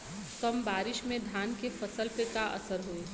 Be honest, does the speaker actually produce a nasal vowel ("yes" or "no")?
yes